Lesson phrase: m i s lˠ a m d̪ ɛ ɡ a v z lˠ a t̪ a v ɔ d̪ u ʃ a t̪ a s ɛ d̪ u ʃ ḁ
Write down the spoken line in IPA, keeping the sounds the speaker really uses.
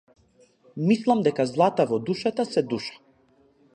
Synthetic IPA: m i s lˠ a m d̪ ɛ k a z lˠ a t̪ a v ɔ d̪ u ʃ a t̪ a s ɛ d̪ u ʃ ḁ